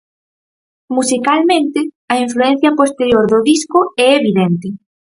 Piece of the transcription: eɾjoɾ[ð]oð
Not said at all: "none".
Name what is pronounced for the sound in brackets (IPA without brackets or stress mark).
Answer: ð